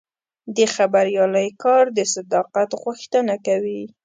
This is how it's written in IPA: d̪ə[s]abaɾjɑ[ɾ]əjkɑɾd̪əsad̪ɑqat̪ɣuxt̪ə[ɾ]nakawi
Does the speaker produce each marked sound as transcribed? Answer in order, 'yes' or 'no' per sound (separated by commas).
no, no, no